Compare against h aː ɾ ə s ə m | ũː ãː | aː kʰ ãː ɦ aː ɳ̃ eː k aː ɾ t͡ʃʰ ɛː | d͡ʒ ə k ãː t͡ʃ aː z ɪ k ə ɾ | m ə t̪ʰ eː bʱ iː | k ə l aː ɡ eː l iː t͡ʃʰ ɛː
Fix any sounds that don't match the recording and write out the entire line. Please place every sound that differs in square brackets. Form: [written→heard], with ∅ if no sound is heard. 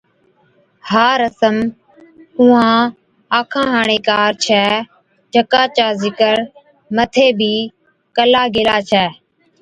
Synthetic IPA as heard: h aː ɾ ə s ə m | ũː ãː | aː kʰ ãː ɦ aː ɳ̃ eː k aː ɾ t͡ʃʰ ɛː | d͡ʒ ə k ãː t͡ʃ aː z ɪ k ə ɾ | m ə t̪ʰ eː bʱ iː | k ə l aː ɡ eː l [iː→aː] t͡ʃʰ ɛː